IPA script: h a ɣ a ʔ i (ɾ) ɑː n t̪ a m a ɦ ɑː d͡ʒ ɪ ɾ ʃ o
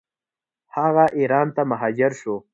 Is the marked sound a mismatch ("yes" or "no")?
no